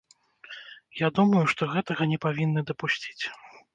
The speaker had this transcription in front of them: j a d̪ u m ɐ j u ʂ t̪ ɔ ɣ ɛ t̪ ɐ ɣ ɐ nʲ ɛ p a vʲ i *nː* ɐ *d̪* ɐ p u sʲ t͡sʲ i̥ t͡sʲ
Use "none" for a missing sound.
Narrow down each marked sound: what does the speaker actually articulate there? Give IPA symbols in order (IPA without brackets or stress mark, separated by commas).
nː, d̪